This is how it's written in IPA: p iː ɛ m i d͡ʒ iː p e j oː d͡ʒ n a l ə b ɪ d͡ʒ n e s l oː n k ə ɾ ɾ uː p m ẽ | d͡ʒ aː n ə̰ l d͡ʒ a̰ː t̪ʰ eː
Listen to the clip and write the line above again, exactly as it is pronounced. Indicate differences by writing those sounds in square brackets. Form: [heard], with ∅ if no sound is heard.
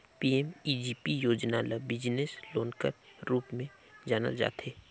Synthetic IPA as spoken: p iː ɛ m i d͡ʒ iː p [i] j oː d͡ʒ n a l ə b ɪ d͡ʒ n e s l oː n k ə ɾ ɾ uː p m ẽ | d͡ʒ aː n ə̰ l d͡ʒ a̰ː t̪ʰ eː